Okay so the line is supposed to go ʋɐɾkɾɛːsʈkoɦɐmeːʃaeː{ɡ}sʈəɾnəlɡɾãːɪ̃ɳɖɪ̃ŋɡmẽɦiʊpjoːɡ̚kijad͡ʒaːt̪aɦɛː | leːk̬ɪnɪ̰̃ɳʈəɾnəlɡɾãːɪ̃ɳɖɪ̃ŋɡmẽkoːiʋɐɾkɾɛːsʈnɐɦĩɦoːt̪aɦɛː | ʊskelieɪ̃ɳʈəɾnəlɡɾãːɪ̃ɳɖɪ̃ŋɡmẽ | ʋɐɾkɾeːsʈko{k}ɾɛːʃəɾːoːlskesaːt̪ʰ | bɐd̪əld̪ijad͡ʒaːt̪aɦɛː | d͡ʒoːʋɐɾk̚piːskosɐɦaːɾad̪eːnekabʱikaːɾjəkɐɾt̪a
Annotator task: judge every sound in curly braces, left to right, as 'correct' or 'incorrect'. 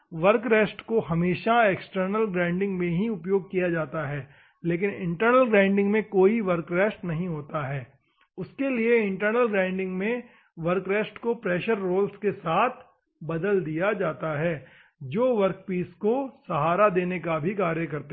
incorrect, incorrect

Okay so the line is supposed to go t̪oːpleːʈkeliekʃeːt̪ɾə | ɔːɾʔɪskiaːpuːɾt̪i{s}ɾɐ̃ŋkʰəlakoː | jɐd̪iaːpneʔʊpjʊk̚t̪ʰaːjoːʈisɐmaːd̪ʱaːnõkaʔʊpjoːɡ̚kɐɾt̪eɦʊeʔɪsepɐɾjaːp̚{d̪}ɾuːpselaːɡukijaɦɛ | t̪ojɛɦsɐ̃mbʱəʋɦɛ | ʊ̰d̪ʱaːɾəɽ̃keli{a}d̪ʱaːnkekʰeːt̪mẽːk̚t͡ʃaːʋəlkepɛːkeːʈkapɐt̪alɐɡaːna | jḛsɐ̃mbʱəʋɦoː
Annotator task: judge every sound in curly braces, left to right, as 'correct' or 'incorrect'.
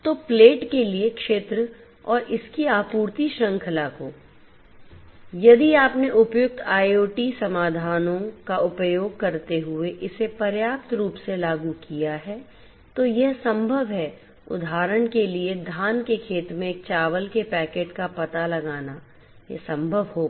incorrect, incorrect, incorrect

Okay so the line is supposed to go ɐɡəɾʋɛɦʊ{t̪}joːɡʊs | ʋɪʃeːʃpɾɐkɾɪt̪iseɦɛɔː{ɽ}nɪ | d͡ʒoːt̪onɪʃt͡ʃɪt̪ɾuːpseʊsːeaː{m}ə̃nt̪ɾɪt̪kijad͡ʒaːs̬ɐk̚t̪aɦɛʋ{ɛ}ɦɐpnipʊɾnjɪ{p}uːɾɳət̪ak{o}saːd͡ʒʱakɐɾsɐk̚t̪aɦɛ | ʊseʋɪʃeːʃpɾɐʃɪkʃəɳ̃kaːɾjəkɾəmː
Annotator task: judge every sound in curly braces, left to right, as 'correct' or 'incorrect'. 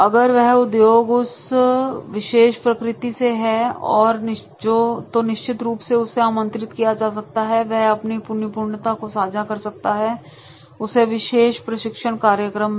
incorrect, incorrect, correct, correct, correct, correct

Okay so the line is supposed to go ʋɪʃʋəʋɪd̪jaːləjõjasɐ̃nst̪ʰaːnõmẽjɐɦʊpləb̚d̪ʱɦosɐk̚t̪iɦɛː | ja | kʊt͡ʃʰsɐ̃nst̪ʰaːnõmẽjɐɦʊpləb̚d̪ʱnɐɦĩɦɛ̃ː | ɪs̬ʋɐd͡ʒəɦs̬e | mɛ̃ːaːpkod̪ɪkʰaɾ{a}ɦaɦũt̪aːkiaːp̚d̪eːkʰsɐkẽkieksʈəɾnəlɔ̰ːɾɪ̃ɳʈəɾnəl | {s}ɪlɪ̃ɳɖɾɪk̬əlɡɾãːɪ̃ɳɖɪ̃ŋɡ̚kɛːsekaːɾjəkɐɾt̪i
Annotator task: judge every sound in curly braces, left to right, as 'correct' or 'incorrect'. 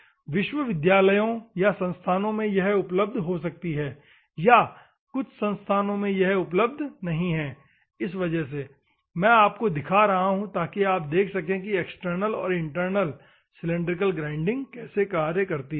incorrect, correct

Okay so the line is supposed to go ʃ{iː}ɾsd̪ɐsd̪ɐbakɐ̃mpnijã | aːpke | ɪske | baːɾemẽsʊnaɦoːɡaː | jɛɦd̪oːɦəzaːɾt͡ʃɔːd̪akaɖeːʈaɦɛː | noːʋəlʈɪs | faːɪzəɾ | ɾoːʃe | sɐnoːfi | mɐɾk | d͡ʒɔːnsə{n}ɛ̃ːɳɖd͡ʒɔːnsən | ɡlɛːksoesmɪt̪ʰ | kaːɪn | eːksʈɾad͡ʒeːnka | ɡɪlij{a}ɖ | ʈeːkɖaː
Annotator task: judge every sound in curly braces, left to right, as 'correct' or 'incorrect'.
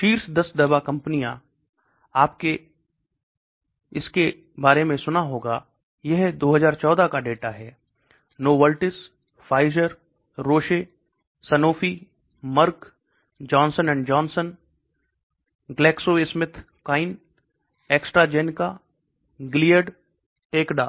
correct, correct, incorrect

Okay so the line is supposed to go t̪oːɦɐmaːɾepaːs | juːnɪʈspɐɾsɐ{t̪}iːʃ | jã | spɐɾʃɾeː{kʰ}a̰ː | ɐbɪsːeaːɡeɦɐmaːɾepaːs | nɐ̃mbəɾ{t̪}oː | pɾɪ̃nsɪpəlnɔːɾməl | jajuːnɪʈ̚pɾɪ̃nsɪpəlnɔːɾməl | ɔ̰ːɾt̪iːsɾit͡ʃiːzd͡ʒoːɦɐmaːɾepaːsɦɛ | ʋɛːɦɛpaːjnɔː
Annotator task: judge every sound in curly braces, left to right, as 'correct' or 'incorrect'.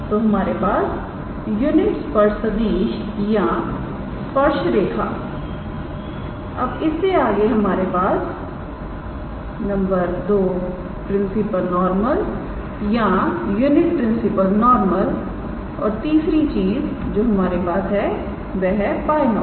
incorrect, correct, incorrect

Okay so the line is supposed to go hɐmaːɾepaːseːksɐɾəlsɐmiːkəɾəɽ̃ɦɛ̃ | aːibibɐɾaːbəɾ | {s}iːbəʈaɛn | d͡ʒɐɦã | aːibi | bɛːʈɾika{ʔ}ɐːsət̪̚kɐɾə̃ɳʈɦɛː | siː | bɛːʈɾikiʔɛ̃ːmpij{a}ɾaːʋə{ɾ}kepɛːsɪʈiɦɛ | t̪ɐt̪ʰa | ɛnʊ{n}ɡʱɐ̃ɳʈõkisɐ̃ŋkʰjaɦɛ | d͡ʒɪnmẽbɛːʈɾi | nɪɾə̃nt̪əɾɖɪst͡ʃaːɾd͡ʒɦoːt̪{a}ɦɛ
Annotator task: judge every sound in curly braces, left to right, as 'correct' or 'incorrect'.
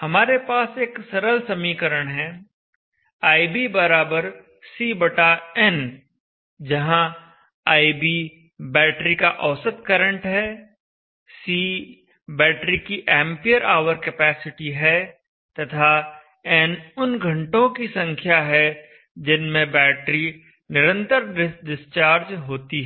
correct, correct, incorrect, correct, correct, incorrect

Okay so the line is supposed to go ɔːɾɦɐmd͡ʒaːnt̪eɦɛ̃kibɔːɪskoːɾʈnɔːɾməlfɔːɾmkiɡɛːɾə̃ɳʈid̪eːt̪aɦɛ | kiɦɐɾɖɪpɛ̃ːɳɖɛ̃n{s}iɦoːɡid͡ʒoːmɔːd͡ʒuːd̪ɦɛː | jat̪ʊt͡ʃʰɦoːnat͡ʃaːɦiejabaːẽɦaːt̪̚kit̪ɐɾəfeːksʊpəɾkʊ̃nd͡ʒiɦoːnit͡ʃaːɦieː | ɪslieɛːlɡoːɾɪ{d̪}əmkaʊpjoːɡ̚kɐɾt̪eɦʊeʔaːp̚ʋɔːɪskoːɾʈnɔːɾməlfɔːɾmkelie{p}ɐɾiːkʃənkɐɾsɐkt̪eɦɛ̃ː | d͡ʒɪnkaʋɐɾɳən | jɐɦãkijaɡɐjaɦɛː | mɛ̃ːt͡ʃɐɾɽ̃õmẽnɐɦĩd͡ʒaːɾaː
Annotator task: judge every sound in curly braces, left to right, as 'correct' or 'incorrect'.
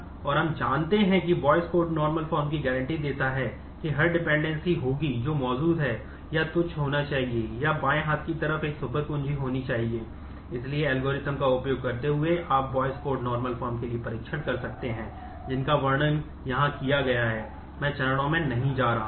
correct, incorrect, correct

